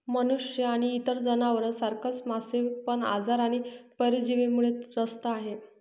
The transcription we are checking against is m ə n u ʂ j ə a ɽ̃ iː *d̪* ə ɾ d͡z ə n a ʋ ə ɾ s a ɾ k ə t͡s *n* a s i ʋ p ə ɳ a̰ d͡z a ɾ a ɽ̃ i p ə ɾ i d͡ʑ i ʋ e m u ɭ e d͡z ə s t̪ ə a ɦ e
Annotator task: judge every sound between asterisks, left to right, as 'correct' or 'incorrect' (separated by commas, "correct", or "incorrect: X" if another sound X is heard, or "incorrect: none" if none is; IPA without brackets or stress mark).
incorrect: t̪, incorrect: m